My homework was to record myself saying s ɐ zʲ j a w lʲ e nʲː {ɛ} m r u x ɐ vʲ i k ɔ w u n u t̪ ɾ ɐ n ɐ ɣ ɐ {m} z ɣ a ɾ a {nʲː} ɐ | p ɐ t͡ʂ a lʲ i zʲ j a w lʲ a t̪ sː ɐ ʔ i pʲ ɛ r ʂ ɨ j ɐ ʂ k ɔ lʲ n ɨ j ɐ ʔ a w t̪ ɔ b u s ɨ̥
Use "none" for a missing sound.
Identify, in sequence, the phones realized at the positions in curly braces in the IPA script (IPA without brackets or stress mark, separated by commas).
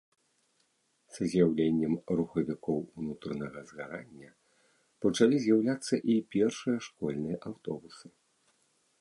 ɛ, none, nʲː